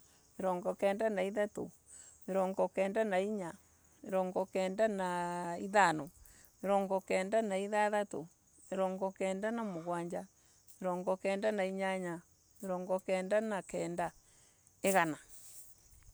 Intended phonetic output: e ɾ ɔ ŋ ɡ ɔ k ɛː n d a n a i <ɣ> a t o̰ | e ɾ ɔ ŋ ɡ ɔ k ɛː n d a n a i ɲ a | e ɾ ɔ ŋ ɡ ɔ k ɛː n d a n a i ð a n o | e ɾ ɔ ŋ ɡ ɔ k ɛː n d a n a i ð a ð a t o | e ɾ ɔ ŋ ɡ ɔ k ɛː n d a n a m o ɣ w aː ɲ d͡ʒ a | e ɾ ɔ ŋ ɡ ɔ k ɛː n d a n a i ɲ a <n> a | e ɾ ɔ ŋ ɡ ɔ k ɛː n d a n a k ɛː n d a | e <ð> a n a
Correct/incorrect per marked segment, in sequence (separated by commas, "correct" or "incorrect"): incorrect, incorrect, incorrect